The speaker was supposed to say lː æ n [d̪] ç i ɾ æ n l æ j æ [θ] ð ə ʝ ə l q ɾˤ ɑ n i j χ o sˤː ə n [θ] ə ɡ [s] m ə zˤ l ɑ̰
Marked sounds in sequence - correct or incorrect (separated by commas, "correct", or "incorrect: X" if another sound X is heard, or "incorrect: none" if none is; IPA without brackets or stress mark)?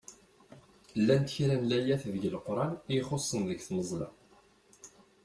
incorrect: t̪, correct, incorrect: ð, incorrect: θ